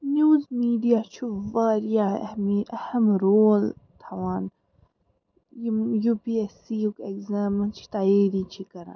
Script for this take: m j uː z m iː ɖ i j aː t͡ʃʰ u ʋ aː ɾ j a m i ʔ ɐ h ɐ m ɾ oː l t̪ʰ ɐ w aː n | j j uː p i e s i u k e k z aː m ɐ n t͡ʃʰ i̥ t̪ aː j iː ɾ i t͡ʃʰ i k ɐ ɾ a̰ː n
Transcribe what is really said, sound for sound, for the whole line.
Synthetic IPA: n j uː z m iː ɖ i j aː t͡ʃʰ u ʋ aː ɾ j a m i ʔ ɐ h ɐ m ɾ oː l t̪ʰ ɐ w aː n | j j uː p i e s i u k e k z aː m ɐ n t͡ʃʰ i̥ t̪ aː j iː ɾ i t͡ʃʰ i k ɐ ɾ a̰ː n